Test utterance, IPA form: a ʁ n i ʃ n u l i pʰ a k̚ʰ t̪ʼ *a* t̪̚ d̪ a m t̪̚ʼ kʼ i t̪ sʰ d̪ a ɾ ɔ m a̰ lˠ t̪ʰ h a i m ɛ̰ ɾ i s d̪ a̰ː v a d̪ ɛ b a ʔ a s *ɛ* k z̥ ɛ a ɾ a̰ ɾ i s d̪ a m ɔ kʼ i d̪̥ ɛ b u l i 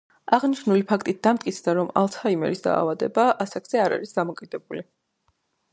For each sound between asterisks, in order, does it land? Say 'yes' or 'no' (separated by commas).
no, no